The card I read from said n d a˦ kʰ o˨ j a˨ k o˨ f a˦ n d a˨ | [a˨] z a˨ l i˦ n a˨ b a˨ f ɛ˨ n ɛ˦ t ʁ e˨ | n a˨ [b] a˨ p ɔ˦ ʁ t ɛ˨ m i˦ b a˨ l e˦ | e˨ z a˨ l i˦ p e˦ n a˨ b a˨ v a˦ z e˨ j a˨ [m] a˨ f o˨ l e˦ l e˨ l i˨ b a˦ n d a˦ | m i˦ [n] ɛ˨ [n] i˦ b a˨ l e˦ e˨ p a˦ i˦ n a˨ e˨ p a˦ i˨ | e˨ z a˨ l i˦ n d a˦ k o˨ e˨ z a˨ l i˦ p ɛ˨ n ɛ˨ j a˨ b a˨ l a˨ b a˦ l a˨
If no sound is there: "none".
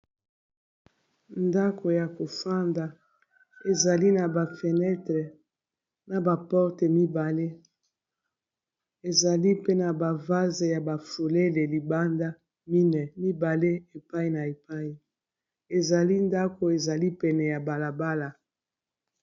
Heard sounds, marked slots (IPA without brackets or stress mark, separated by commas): e˨, b, b, n, m